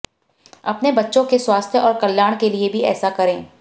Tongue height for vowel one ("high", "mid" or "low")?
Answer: low